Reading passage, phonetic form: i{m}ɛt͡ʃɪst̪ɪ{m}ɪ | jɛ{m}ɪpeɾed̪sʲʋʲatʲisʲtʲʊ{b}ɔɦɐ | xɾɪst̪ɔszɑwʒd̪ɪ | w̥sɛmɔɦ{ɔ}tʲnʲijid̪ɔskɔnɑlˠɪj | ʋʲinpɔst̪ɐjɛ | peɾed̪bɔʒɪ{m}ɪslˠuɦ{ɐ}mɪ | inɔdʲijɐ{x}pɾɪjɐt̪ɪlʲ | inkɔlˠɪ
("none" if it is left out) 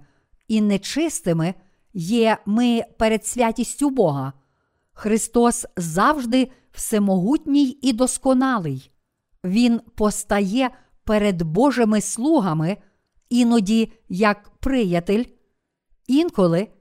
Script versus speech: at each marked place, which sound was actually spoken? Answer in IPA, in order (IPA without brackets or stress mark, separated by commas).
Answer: n, m, m, b, u, m, ɐ, k